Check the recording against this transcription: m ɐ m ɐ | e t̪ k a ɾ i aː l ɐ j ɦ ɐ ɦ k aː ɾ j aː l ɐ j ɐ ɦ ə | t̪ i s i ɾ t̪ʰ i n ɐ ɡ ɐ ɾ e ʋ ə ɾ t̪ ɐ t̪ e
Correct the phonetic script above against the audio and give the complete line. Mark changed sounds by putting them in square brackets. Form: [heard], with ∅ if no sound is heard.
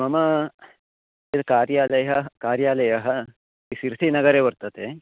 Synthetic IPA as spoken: m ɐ m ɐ | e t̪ k a ɾ [j] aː l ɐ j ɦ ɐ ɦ k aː ɾ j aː l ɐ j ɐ ɦ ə | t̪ i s i ɾ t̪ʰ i n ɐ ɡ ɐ ɾ e ʋ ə ɾ t̪ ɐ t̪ e